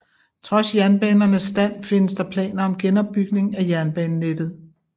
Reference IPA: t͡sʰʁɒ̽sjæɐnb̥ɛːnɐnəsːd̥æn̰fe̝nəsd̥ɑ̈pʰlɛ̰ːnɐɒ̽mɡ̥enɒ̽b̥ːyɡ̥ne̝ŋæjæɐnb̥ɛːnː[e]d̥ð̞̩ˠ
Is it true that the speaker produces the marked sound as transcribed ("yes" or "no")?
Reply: yes